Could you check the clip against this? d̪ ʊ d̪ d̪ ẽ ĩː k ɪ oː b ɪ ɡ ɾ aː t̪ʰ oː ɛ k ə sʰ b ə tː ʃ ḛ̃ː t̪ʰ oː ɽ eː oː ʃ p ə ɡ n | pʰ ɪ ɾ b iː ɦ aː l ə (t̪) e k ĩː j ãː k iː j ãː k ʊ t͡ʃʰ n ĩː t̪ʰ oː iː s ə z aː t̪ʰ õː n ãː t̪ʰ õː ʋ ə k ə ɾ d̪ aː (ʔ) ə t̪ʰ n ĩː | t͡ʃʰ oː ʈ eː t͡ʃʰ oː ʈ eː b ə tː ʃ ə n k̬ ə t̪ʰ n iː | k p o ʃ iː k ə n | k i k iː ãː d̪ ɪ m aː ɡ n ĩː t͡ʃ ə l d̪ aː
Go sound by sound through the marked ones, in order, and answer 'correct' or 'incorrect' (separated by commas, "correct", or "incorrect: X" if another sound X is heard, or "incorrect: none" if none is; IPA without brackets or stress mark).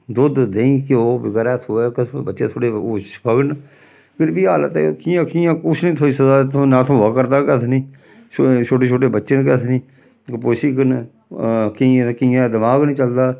correct, incorrect: k